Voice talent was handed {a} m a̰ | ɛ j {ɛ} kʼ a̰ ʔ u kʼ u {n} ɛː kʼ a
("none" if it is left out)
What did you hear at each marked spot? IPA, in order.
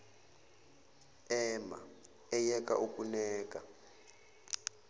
ɛ, ɛ, n

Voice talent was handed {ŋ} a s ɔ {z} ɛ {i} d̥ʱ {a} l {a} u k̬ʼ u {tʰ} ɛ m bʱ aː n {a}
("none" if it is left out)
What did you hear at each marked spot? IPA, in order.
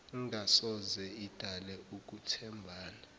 ŋ, z, i, a, ɛ, tʰ, a

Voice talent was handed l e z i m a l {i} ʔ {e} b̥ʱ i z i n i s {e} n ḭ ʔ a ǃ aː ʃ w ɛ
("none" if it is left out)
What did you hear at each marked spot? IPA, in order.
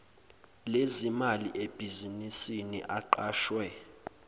i, e, i

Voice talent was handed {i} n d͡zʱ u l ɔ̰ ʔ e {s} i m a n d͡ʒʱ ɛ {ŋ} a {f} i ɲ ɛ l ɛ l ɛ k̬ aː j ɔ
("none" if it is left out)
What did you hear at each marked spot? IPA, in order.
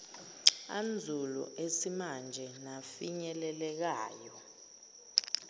a, s, n, f

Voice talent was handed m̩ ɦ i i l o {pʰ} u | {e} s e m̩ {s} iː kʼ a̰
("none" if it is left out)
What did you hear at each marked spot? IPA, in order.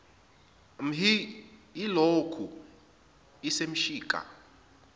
kʰ, i, ʃ

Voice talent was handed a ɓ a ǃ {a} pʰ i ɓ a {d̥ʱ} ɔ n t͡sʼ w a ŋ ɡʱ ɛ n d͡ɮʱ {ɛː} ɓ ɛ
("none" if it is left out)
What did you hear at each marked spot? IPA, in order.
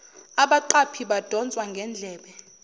a, d̥ʱ, ɛː

